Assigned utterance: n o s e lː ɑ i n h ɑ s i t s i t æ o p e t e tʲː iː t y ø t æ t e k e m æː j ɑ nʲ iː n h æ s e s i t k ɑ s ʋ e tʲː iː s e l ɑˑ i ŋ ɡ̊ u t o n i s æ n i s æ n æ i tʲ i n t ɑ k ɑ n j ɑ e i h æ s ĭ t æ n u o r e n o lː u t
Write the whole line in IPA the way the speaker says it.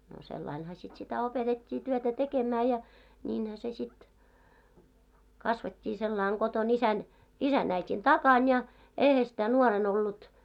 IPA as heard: n o s e lː ɑ i n h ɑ s i t s i t æ o p e t e tʲː iː t y ø t æ t e k e m æː j ɑ nʲ iː n h æ s e s i t k ɑ s ʋ e tʲː iː s e lː ɑˑ i ŋ ɡ̊ o t o n i s æ n i s æ n æ i tʲ i n t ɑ k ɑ n j ɑ e i h æ s ĭ t æ n u o r e n o lː u t